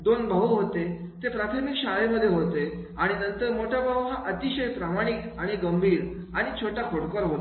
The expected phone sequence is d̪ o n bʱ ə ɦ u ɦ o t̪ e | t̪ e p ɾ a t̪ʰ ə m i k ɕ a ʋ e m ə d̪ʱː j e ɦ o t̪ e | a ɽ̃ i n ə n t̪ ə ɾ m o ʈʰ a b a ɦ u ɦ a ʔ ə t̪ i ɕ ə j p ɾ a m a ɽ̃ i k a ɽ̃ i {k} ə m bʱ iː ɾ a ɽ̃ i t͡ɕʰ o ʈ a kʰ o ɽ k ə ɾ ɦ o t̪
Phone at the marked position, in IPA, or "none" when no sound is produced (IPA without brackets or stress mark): ɡ